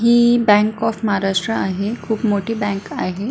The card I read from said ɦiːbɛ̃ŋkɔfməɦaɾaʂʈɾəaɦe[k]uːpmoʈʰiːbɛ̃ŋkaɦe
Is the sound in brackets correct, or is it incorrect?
incorrect